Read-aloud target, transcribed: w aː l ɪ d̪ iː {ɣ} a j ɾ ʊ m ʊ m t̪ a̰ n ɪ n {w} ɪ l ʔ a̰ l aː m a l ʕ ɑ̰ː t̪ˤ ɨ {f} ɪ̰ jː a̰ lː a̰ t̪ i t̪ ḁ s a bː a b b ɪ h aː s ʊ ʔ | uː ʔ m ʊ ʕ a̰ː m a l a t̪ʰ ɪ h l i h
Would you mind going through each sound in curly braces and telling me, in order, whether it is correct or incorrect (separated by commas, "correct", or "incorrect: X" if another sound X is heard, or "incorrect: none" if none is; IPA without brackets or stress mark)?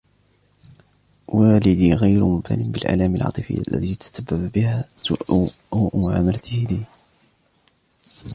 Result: correct, incorrect: b, correct